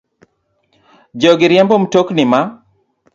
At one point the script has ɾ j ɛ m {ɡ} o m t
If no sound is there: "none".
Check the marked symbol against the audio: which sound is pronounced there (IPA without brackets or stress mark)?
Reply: b